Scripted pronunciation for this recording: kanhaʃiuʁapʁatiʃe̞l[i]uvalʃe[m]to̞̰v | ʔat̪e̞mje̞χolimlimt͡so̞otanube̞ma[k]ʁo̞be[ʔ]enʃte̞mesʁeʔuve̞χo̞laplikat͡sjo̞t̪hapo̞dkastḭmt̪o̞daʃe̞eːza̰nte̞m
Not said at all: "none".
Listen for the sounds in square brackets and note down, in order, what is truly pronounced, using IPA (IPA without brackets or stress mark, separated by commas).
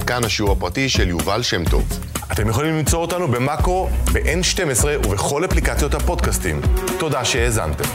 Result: j, m, k, ʔ